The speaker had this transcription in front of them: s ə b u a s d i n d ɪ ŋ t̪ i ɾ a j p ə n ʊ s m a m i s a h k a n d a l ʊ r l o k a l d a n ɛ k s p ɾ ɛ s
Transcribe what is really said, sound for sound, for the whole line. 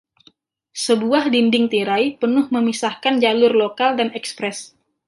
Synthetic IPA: s ə b u a h d i n d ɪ ŋ t̪ i ɾ a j p ə n ʊ h m ə m i s a h k a n d͡ʒ a l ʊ r l o k a l d a n ɛ k s p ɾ ɛ s